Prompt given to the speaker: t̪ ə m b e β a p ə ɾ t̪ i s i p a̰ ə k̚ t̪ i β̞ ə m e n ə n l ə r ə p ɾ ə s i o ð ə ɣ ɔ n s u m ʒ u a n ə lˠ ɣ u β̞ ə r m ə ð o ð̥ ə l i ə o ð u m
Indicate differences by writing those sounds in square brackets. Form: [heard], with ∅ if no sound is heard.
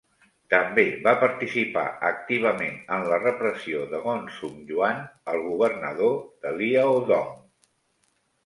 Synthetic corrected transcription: t̪ ə m b e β a p ə ɾ t̪ i s i p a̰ ə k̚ t̪ i β̞ ə m e n ə n l ə r ə p ɾ ə s i o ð ə ɣ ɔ n s u m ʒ u a n ə lˠ ɣ u β̞ ə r [n] ə ð o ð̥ ə l i ə o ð [ɔ] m